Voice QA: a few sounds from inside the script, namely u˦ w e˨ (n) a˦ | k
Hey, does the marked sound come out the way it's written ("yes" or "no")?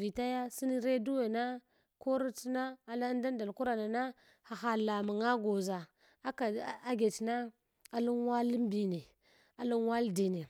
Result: yes